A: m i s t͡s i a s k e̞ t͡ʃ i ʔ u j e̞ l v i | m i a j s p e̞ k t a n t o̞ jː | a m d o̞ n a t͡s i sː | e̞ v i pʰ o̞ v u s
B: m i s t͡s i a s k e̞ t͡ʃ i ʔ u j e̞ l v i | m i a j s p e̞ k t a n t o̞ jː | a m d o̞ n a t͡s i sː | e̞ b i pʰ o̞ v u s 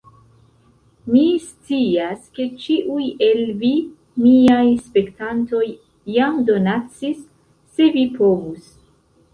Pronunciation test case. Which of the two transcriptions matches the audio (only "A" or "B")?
A